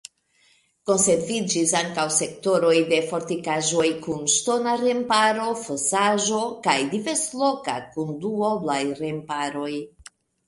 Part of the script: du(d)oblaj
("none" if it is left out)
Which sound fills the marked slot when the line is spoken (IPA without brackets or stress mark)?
none